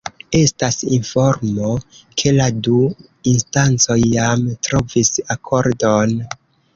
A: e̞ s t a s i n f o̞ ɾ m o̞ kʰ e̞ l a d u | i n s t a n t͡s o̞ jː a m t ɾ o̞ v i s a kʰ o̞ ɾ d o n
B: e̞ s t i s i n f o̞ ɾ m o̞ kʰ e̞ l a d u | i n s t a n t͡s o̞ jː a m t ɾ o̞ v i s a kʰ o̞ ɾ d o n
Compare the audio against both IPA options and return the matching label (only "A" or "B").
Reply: A